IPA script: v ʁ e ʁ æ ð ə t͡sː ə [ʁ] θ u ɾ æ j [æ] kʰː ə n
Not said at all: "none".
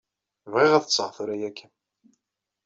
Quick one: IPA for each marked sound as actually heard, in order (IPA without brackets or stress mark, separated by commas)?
ʁ, æ